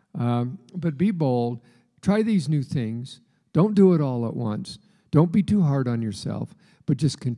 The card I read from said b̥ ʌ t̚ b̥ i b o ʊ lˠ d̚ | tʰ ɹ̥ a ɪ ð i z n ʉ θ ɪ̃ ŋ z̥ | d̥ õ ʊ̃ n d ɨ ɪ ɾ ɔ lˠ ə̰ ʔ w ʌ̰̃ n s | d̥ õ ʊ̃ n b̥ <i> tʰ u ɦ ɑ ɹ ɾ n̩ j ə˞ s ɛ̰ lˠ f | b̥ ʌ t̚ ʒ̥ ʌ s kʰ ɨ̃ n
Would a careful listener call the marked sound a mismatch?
no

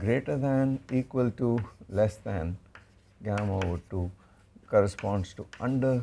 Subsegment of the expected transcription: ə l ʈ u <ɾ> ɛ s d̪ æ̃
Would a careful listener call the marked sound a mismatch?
yes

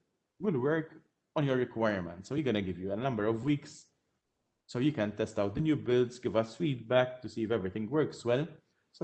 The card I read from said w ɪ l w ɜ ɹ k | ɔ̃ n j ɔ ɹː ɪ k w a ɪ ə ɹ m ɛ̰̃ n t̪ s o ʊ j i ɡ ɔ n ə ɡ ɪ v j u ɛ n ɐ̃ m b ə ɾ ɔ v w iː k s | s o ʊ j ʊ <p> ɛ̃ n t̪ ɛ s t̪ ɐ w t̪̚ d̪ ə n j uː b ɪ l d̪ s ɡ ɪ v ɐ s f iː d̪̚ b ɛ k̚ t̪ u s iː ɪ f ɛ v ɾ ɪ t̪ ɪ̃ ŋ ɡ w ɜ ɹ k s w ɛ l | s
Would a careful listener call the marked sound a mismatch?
yes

